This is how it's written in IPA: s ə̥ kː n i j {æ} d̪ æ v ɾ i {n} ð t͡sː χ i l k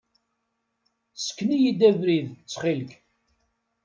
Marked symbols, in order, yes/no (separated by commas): no, no